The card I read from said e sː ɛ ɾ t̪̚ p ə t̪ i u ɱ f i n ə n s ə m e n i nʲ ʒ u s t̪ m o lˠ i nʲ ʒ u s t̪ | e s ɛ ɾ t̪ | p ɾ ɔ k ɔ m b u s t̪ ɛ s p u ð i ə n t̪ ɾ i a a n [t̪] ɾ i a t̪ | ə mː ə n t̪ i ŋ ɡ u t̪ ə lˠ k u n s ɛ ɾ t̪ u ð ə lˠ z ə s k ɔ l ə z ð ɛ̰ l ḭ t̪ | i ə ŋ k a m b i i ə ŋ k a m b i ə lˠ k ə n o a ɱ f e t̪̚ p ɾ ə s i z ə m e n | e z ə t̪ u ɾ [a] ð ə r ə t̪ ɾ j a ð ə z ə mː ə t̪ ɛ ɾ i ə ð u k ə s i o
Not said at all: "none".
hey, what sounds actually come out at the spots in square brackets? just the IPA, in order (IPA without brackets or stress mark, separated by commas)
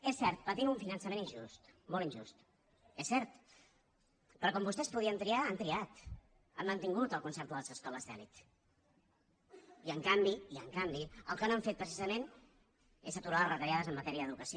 t̪, a